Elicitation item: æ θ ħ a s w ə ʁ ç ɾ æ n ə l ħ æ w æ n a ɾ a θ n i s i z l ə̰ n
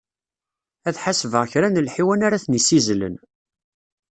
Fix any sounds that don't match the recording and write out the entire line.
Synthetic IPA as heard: æ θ ħ a s v ə ʁ ç ɾ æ n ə l ħ i w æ n a ɾ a θ n i s i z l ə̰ n